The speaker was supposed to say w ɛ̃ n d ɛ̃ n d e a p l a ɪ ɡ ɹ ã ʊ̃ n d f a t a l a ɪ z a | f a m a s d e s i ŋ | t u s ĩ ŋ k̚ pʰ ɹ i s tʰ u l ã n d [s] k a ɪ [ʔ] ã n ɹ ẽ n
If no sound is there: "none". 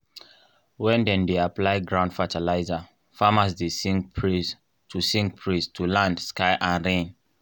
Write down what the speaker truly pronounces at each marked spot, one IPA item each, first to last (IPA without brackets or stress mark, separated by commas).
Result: s, ʔ